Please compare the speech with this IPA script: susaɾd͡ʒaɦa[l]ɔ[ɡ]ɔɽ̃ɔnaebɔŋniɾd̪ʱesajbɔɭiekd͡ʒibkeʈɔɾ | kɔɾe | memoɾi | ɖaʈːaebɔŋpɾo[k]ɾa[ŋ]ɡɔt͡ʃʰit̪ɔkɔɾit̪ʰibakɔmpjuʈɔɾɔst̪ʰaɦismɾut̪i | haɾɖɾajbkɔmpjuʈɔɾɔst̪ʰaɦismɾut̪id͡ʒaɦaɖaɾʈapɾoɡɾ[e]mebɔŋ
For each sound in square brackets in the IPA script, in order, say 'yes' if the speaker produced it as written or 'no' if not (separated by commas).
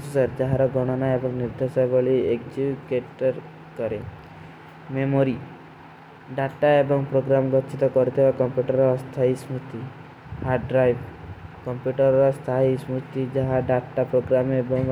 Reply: no, yes, no, no, no